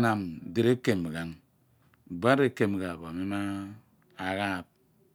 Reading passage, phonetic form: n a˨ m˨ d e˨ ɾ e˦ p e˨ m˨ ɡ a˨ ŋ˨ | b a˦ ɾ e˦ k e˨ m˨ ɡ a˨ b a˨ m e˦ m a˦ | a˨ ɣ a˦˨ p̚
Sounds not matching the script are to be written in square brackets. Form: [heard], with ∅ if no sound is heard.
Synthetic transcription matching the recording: n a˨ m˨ d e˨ ɾ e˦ [k] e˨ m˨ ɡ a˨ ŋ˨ | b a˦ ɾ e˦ k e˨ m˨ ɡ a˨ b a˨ m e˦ m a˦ | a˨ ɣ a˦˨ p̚